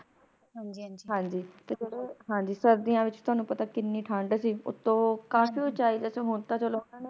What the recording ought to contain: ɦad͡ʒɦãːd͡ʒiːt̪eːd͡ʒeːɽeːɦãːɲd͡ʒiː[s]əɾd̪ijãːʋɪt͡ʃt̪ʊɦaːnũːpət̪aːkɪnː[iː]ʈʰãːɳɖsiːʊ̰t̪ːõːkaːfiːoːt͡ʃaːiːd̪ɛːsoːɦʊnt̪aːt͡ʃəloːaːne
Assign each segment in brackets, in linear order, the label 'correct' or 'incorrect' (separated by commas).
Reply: correct, correct